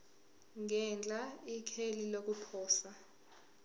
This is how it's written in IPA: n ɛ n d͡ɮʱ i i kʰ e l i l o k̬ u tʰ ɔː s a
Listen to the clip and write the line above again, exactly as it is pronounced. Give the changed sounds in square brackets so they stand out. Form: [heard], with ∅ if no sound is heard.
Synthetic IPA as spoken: [ŋ] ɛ n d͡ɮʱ [a] i kʰ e l i l o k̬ u [pʰ] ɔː s a